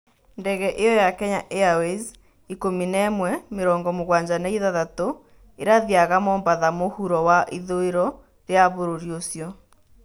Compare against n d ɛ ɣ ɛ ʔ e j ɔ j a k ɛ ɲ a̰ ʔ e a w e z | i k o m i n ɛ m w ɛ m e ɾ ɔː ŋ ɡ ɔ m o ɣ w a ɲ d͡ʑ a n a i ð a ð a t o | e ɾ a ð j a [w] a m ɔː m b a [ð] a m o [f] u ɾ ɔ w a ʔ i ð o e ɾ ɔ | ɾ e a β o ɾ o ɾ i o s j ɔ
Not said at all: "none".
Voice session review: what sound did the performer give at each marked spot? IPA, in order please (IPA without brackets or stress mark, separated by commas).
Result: ɣ, ð, h